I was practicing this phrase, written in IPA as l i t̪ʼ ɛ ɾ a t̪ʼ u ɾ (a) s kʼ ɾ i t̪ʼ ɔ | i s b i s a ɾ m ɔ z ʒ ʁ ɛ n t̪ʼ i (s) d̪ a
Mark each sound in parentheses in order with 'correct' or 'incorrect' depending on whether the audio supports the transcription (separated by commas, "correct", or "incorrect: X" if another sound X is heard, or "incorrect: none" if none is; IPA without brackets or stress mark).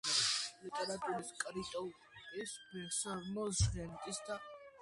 incorrect: i, correct